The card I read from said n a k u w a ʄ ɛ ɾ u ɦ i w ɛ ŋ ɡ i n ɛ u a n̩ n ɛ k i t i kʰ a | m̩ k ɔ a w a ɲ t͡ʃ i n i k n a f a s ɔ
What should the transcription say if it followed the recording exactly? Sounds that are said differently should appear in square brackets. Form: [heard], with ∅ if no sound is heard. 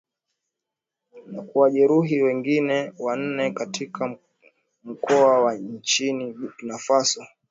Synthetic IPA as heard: n a k u w a ʄ ɛ ɾ u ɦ i w ɛ ŋ ɡ i n ɛ [w] a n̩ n ɛ k [a] t i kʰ a | m̩ k ɔ a w a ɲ t͡ʃ i n i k n a f a s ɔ